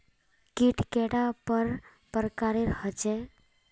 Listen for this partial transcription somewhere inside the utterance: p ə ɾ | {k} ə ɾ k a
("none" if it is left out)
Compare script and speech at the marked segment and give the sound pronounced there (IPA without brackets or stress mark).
p